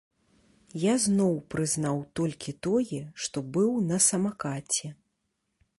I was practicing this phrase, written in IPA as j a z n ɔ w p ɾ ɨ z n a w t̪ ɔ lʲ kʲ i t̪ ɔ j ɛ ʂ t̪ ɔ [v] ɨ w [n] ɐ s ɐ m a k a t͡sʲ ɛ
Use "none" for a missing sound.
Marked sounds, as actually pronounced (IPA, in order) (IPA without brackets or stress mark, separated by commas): b, n